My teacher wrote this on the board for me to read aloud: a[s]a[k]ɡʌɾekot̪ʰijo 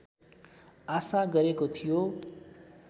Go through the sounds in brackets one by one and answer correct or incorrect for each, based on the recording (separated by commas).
correct, incorrect